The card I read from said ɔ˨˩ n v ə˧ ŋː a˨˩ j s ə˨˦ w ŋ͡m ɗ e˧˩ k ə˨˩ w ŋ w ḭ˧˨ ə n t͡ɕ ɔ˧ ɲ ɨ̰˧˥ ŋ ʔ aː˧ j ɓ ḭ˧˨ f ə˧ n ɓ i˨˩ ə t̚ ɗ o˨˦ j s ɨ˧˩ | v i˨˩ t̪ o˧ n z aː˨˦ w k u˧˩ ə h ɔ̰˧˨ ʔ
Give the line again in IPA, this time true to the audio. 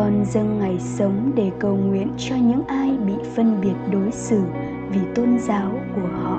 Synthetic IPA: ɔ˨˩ n z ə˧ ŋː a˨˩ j s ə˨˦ w ŋ͡m ɗ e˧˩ k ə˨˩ w ŋ w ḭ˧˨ ə n t͡ɕ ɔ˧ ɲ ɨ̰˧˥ ŋ ʔ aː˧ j ɓ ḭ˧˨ f ə˧ n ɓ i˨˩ ə t̚ ɗ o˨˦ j s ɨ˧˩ | v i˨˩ t̪ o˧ n z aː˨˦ w k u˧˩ ə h ɔ̰˧˨ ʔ